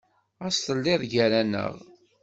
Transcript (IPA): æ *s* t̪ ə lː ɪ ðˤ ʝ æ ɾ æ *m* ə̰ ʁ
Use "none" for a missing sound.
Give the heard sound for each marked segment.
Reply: s, n

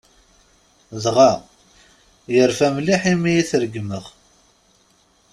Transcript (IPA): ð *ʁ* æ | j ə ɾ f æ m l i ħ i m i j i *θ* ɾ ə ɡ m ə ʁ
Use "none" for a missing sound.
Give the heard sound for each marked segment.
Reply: ʁ, θ

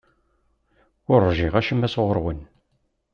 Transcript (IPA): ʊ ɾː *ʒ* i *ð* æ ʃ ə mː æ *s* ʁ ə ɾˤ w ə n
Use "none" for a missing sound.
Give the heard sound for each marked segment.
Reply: ʒ, ʁ, s

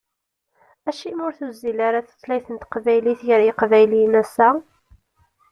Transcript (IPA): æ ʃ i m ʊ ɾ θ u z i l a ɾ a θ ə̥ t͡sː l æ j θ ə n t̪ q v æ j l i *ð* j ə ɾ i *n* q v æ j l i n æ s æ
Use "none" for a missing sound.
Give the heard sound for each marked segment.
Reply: θ, none

